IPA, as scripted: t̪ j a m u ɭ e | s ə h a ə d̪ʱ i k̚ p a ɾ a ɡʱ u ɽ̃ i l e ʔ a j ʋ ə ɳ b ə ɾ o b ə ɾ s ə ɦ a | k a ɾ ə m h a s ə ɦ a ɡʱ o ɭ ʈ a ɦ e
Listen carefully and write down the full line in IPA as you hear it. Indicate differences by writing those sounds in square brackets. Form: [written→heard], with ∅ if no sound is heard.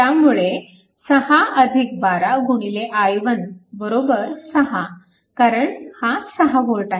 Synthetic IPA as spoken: t̪ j a m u ɭ e | s ə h a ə d̪ʱ i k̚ [p→b] a ɾ a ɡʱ u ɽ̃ i l e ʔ a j ʋ ə [ɳ→n] b ə ɾ o b ə ɾ s ə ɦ a | k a ɾ ə [m→ɳ] h a s ə ɦ a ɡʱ o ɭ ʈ a ɦ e